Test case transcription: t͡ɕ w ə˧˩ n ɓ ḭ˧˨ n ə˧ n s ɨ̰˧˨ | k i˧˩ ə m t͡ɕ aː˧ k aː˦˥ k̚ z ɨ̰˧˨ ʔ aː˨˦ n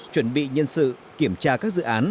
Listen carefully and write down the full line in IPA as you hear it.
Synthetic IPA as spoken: t͡ɕ w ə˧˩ n ɓ ḭ˧˨ ɲ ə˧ n s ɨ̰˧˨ | k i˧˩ ə m t͡ɕ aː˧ k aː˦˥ k̚ z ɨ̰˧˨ ʔ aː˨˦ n

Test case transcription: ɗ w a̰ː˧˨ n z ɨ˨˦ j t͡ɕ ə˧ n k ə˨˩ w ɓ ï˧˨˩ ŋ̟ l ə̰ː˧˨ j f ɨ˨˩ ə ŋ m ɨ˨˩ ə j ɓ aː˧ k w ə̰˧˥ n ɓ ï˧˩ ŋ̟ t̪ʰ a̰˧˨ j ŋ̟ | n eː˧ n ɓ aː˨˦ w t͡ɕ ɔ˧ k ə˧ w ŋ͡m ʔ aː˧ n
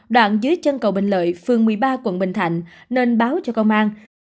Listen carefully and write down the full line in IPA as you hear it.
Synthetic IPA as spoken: ɗ w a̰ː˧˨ n z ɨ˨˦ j t͡ɕ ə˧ n k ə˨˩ w ɓ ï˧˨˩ ŋ̟ l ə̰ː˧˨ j f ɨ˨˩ ə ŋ m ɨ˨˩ ə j ɓ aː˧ k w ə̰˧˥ n ɓ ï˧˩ ŋ̟ t̪ʰ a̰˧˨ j ŋ̟ | n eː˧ n ɓ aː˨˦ w t͡ɕ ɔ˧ k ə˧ w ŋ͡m ʔ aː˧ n

